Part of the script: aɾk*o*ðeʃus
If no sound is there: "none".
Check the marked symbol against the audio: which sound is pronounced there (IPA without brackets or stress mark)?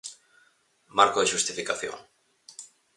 o